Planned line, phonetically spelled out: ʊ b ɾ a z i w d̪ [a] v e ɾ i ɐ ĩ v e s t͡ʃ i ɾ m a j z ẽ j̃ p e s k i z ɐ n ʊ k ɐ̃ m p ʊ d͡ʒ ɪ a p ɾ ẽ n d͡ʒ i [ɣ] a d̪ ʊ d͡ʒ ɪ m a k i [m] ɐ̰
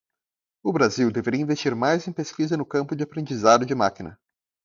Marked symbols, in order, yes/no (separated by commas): no, no, no